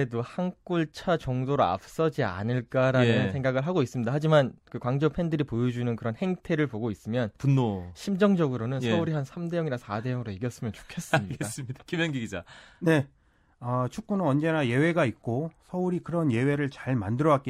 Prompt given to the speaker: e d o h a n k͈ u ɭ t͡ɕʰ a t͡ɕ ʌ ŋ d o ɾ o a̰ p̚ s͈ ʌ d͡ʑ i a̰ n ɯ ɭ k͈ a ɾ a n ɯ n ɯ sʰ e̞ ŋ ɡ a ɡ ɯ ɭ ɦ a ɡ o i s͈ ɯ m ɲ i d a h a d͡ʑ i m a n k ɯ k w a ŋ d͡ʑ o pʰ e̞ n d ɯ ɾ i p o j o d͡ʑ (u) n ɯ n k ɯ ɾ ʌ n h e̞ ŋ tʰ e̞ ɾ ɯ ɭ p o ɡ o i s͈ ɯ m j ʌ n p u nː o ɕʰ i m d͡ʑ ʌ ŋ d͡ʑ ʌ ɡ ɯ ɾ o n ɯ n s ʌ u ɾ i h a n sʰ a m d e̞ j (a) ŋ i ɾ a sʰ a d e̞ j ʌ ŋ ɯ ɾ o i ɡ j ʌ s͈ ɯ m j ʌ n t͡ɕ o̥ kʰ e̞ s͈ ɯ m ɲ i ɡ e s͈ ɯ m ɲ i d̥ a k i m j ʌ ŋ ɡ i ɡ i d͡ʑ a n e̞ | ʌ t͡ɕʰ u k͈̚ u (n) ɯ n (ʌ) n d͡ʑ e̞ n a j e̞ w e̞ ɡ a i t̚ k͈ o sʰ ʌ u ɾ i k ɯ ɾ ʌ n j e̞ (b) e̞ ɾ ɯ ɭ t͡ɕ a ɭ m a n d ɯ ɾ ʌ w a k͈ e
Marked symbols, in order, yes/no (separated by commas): yes, no, yes, yes, no